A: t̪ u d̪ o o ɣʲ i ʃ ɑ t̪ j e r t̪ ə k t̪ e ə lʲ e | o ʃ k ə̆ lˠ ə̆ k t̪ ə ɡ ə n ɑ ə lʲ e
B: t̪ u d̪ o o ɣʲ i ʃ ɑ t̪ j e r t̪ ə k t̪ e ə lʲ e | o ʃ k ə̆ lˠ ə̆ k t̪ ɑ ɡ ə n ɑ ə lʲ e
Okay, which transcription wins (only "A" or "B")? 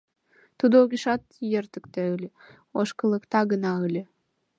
B